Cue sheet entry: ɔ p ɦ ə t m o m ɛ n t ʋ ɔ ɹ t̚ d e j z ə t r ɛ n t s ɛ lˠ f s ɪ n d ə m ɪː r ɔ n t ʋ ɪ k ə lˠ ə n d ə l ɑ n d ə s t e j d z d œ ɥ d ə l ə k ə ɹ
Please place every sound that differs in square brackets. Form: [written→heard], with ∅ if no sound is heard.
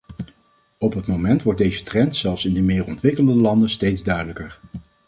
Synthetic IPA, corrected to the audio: ɔ p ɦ ə t m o m ɛ n t ʋ ɔ ɹ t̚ d e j z ə t r ɛ n t s ɛ lˠ f s ɪ n d ə m ɪː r ɔ n t ʋ ɪ k ə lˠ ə n d ə l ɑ n d ə s t e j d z d œ ɥ d ə l ə k ə ɹ